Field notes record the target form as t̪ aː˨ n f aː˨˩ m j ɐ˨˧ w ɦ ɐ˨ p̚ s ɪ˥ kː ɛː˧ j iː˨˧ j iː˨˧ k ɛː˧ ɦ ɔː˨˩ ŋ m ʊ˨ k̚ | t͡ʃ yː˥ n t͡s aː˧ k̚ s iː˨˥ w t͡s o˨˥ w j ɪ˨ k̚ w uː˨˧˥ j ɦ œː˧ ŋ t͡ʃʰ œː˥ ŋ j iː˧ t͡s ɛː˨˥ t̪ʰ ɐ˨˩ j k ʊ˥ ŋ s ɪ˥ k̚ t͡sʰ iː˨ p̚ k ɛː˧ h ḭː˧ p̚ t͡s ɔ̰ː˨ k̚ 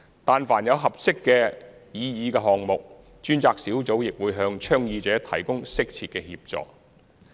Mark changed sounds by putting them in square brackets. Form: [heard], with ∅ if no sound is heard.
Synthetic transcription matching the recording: t̪ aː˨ n f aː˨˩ [n] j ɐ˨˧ w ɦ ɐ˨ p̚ s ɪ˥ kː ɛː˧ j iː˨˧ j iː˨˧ k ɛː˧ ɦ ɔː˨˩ ŋ m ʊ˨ k̚ | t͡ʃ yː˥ n t͡s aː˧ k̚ s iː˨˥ w t͡s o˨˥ w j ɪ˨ k̚ w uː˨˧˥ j ɦ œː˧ ŋ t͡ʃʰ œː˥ ŋ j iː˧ t͡s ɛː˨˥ t̪ʰ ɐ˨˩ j k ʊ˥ ŋ s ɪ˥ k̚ t͡sʰ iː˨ [t̚] k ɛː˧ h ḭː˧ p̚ t͡s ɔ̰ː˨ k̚